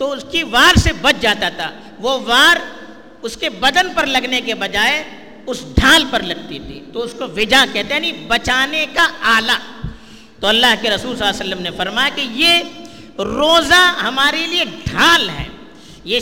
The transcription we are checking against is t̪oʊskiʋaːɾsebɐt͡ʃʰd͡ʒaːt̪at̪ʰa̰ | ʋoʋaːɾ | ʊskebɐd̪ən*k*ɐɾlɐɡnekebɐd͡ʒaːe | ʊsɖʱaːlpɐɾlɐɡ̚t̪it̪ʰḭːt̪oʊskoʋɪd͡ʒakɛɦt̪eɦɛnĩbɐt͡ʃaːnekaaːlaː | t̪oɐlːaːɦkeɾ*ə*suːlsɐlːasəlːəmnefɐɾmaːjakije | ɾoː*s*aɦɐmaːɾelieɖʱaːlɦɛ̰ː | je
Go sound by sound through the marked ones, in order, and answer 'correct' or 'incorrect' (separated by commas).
incorrect, incorrect, incorrect